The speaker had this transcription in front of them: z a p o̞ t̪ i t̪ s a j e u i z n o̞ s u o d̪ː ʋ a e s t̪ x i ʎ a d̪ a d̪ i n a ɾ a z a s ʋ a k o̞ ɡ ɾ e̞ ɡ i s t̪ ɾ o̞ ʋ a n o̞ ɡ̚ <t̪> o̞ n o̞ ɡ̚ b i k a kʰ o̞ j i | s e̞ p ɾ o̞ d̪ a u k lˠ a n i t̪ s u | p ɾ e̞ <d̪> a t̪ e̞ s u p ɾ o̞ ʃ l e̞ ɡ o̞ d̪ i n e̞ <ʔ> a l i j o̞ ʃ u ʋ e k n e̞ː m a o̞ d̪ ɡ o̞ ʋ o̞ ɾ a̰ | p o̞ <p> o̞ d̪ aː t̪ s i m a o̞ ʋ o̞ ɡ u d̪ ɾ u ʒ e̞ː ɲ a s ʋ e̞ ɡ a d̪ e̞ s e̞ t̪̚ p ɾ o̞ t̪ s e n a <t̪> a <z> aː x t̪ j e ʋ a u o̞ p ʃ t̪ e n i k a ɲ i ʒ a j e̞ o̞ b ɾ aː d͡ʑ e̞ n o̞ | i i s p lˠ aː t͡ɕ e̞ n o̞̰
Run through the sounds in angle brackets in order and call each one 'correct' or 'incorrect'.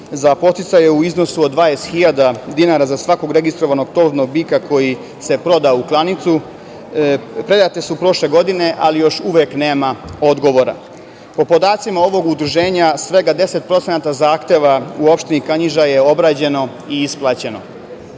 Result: correct, correct, correct, correct, correct, correct

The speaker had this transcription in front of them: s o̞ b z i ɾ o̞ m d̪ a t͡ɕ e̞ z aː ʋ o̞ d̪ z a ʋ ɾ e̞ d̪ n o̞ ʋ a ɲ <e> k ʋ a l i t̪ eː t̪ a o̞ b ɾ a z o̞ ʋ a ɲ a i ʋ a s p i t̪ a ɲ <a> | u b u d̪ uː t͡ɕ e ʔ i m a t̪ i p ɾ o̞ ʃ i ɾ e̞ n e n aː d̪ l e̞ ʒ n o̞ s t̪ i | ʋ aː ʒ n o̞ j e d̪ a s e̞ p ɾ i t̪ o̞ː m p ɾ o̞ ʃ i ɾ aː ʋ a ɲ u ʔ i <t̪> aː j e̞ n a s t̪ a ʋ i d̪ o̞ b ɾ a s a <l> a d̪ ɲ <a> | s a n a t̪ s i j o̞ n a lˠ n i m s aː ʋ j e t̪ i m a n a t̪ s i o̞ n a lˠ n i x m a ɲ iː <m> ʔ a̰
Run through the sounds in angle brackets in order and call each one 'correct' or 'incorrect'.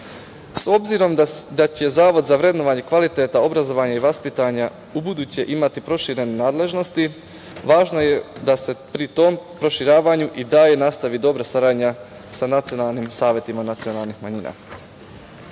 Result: correct, correct, incorrect: d̪, incorrect: ɾ, correct, incorrect: n

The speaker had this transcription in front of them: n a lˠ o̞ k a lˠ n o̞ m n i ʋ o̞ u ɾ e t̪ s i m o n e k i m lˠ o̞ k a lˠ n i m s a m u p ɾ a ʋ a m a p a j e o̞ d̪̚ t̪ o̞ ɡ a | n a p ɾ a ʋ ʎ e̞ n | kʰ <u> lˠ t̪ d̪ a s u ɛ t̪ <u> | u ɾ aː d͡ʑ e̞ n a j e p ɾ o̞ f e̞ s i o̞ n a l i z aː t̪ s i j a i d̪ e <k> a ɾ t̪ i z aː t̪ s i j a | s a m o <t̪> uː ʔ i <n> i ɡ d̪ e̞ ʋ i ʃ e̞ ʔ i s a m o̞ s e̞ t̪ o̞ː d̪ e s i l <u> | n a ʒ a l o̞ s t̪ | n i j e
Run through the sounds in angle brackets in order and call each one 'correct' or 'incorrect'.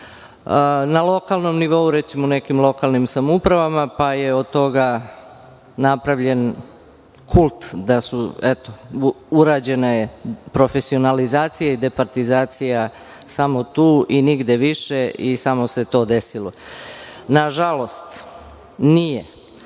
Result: correct, incorrect: o, incorrect: p, correct, correct, incorrect: o

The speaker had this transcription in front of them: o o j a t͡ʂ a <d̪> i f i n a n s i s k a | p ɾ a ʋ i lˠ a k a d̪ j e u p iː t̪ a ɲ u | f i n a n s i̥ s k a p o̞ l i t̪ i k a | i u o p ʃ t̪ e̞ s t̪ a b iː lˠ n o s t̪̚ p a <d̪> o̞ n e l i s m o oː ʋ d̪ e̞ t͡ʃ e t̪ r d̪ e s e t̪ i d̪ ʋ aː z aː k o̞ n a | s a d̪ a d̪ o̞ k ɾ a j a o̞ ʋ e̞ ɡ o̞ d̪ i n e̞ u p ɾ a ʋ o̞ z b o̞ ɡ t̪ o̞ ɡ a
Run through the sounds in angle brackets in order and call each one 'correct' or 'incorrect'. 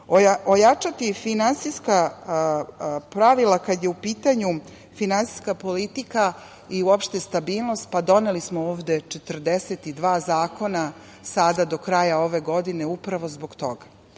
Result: incorrect: t̪, correct

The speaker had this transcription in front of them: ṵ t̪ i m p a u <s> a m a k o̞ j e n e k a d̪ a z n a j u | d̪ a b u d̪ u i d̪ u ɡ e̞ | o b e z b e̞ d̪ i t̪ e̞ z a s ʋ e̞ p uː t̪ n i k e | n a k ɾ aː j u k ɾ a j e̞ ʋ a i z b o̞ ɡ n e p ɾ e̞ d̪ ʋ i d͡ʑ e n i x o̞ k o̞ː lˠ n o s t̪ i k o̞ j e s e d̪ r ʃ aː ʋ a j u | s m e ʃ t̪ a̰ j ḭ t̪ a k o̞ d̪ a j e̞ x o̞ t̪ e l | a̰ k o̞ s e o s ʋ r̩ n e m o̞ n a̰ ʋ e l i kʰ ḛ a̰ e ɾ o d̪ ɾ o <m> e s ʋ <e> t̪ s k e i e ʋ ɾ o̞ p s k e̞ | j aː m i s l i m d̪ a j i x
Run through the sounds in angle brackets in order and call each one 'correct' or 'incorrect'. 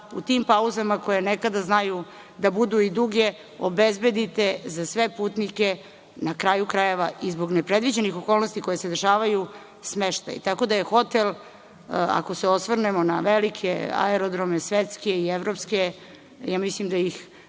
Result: incorrect: z, correct, correct

